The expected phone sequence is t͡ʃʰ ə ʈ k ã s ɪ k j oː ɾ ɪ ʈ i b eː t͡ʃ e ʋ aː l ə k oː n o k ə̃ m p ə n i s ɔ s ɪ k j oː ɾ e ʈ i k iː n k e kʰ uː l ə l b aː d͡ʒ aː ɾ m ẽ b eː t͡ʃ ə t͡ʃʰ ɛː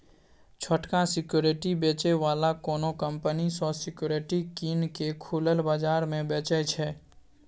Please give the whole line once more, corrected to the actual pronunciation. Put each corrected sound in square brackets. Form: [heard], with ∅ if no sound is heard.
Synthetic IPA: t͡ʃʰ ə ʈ k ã s ɪ k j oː ɾ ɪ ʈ i b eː t͡ʃ e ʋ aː l [a] k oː n o k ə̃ m p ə n i s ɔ s ɪ k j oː ɾ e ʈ i k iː n k e kʰ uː l ə l b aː d͡ʒ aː ɾ m ẽ b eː t͡ʃ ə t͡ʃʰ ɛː